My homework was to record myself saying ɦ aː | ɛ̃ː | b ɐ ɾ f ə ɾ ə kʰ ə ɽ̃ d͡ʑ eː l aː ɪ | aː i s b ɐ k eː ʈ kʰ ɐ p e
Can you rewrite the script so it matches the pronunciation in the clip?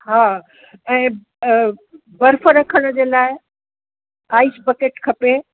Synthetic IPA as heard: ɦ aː | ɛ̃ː | b ɐ ɾ f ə ɾ ɐ kʰ ə ɽ̃ d͡ʑ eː l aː ɪ | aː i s b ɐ k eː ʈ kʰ ɐ p e

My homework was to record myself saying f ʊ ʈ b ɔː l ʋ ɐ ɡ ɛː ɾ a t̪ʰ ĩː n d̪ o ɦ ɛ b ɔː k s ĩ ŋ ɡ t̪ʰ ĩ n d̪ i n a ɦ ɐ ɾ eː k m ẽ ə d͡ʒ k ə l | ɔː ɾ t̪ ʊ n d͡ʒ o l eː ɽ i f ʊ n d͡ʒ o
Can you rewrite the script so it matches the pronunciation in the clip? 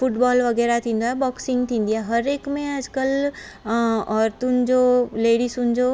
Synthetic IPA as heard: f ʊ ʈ b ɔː l ʋ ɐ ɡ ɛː ɾ a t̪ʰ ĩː n d̪ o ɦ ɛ b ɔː k s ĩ ŋ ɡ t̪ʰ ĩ n d̪ i a ɦ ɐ ɾ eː k m ẽ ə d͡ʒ k ə l | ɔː ɾ t̪ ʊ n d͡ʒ o l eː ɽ i s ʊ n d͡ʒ o

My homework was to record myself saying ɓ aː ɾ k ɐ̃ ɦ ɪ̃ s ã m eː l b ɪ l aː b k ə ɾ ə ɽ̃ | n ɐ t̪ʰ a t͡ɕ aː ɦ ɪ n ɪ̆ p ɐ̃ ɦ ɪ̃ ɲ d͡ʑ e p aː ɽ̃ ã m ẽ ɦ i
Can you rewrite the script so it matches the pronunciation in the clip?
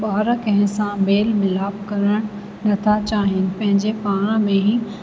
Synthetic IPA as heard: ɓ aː ɾ k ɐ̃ ɦ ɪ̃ s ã m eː l m ɪ l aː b k ɐ ɾ ə ɽ̃ | n ɐ t̪ʰ a t͡ɕ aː ɦ ɪ n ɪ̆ p ɐ̃ ɦ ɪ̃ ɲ d͡ʑ e p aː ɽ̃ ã m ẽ ɦ i

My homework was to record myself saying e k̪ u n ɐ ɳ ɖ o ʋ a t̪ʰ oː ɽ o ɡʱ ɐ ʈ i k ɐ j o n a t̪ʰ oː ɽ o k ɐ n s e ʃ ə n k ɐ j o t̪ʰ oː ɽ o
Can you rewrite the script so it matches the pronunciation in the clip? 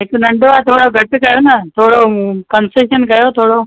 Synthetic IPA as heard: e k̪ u n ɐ ɳ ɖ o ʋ a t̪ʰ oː ɽ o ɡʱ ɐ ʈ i k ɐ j o n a t̪ʰ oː ɽ o k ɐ n s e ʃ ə n k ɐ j o t̪ʰ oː ɽ o

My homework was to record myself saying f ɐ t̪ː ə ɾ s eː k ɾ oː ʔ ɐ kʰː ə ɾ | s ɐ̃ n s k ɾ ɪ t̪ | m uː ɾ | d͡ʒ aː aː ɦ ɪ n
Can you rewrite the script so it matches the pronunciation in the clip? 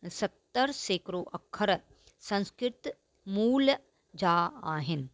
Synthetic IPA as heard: s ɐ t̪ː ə ɾ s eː k ɾ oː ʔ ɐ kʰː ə ɾ | s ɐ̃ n s k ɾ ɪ t̪ | m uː l | d͡ʒ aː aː ɦ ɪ n

